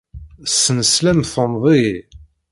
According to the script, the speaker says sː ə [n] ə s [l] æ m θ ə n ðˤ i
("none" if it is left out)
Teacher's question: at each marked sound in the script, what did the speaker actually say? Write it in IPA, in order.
n, l

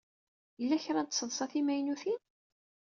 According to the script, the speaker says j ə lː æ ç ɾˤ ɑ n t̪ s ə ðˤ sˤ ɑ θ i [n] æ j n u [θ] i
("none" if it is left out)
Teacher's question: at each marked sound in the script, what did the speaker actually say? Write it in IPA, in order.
m, θ

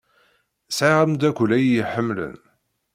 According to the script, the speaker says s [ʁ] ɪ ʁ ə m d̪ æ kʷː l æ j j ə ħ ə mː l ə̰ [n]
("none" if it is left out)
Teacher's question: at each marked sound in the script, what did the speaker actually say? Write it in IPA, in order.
ʕ, n

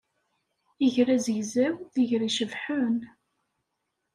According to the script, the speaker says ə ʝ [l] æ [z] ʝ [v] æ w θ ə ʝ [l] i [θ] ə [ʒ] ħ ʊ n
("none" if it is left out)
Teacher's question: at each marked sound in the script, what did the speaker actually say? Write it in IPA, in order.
ɾ, z, z, ɾ, ʃ, v

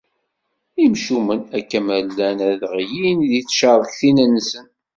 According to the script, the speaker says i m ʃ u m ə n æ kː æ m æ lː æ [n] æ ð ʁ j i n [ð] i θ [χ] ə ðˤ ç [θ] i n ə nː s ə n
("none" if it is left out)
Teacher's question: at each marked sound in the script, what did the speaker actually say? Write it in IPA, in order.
n, ð, ʃ, θ

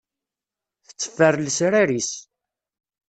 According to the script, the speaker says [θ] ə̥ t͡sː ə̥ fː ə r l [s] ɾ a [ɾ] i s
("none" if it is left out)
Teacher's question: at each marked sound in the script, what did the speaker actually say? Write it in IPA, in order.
θ, s, ɾ

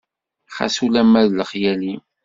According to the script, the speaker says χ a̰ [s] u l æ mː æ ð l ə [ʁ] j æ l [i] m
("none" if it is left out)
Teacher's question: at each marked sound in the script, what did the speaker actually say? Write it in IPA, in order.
s, χ, i

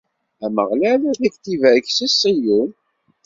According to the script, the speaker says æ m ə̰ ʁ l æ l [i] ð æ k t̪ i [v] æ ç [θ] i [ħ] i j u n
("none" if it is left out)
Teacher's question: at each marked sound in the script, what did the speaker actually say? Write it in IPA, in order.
æ, v, s, s

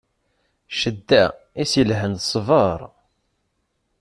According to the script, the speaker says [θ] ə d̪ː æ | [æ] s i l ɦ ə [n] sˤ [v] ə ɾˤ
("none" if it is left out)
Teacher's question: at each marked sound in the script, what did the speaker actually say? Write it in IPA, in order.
ʃ, i, n, v

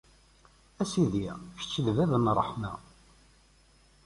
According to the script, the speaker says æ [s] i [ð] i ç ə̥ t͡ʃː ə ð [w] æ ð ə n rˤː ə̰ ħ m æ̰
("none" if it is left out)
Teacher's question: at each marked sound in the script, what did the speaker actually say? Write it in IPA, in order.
s, ð, v

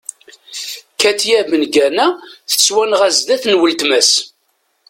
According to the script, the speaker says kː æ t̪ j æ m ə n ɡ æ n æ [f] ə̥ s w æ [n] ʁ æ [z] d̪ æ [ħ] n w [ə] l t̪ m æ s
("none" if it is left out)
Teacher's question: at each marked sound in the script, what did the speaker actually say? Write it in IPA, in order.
θ, n, z, θ, ə

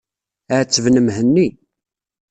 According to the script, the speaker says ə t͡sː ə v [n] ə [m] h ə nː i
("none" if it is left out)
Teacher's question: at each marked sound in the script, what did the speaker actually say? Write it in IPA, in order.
n, m

